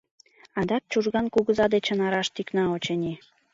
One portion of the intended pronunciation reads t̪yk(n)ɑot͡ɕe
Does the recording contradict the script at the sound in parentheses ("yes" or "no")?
no